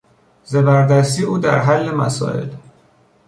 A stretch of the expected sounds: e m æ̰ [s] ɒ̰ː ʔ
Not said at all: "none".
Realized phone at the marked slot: s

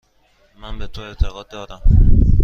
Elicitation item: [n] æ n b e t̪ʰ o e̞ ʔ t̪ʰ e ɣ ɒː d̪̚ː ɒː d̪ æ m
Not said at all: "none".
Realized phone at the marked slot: m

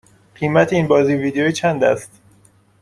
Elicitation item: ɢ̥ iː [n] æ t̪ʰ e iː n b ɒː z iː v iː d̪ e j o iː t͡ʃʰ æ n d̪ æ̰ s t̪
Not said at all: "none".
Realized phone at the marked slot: m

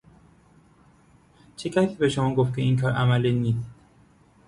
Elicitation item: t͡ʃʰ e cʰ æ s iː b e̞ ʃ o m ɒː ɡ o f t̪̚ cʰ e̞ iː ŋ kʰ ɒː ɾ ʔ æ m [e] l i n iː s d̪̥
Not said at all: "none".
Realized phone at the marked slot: æ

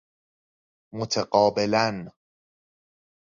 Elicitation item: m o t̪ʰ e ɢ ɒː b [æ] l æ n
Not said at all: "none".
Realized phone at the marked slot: e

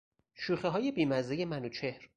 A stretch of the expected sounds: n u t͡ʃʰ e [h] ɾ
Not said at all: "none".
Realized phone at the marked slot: h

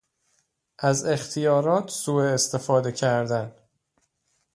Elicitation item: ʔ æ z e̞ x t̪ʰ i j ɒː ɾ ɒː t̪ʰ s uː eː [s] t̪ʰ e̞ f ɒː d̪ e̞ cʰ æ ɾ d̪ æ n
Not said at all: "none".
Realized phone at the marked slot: s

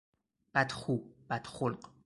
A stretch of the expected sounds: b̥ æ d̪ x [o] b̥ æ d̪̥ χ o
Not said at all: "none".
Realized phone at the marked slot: u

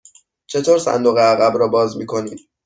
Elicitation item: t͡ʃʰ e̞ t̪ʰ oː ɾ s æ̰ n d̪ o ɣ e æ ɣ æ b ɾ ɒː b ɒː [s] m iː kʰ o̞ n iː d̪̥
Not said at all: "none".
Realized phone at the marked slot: z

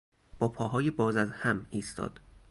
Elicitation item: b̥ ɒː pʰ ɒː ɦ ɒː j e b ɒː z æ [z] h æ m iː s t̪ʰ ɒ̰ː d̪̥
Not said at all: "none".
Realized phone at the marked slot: z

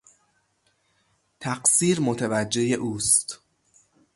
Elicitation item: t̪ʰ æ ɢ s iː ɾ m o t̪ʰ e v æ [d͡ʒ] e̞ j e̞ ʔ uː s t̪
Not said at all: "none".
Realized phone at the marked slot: d͡ʒː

